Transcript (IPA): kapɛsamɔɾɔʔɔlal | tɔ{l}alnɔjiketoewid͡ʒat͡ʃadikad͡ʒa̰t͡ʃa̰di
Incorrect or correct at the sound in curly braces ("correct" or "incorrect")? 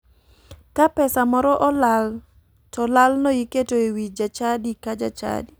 correct